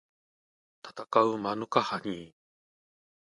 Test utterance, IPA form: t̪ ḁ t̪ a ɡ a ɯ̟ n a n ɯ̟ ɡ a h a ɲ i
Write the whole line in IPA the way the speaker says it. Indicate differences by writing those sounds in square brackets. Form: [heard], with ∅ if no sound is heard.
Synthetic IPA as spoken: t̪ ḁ t̪ a [k] a ɯ̟ [m] a n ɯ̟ [k] a h a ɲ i